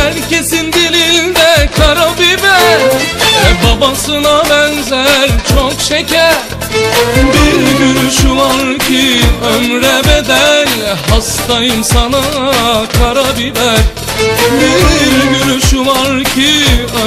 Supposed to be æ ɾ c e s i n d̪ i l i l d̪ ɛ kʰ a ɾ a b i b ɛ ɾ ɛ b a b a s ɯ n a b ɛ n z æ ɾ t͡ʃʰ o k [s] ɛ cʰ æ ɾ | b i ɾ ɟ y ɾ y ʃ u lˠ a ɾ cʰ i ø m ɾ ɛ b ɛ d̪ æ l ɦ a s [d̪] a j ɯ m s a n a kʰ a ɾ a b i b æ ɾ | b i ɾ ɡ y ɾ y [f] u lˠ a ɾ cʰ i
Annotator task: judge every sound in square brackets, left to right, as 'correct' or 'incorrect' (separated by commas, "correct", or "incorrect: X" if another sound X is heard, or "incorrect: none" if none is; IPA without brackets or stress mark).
incorrect: ʃ, incorrect: t̪, incorrect: ʃ